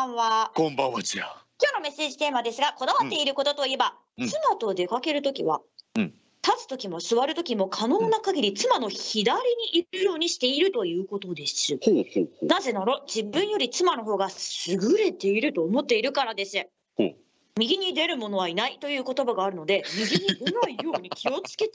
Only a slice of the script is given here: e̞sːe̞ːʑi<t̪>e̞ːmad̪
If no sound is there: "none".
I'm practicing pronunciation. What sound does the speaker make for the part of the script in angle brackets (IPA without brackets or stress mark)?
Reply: t̪